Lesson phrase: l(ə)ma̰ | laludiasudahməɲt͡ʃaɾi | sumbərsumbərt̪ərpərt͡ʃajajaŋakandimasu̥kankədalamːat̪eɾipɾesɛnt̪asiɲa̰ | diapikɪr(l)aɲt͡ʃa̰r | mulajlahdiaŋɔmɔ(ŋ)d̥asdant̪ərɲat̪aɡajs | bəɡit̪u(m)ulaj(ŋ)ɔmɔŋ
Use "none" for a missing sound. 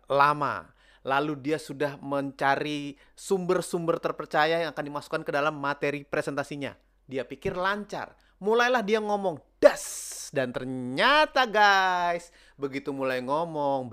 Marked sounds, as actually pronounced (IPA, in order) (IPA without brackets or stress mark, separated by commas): a, l, ŋ, m, ŋ